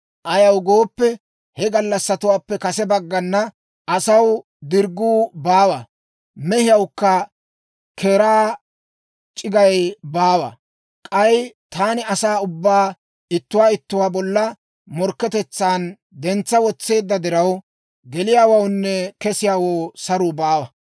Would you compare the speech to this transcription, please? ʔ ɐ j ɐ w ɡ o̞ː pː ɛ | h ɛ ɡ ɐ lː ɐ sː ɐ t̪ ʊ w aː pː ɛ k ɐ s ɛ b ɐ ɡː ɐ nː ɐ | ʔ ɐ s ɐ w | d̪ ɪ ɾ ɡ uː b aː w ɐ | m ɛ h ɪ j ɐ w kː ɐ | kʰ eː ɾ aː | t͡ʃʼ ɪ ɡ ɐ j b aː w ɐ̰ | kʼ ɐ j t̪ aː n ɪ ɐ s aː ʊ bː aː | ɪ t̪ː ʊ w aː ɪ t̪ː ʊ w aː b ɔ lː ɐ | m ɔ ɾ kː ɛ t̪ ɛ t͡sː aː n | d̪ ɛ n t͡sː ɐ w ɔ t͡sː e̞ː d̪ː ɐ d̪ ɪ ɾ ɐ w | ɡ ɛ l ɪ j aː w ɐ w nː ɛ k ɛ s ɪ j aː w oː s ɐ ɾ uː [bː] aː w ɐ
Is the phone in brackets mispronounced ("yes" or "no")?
yes